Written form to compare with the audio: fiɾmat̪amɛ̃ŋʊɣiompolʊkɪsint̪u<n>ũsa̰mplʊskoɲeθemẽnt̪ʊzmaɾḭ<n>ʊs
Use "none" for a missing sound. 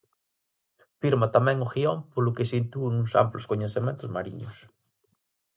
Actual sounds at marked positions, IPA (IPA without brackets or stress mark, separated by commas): n, ɲ